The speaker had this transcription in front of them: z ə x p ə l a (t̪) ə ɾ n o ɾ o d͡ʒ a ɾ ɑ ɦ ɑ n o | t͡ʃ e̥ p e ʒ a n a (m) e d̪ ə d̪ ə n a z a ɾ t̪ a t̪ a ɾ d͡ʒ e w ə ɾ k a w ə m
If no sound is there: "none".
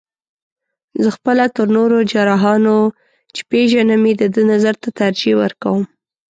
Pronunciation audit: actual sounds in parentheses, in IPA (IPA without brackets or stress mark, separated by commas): t̪, m